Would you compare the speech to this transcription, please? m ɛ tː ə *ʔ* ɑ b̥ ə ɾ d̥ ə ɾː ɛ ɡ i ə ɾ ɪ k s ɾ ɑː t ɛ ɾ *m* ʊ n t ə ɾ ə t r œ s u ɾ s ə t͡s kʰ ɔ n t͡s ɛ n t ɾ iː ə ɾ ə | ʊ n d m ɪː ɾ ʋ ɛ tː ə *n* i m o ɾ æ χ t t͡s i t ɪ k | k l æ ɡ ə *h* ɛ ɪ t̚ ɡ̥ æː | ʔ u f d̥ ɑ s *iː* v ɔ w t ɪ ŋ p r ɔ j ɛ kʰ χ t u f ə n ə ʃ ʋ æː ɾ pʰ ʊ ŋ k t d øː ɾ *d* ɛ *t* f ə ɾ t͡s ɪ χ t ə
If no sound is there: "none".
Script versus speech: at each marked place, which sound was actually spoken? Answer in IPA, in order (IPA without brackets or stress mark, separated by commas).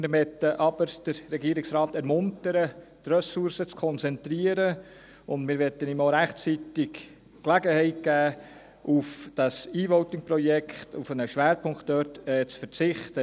ʔ, m, n, h, iː, t, t͡s